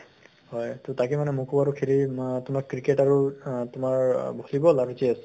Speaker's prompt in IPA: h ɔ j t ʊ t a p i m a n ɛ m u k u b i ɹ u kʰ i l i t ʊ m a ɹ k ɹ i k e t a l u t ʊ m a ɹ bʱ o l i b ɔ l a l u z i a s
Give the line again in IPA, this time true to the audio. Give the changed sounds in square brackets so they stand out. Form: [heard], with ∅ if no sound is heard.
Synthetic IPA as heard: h ɔ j t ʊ t a [k] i m a n ɛ m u k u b [a] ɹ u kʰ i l i t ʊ m a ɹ k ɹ i k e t a [ɹ] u t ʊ m a ɹ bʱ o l i b ɔ l a [ɹ] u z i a s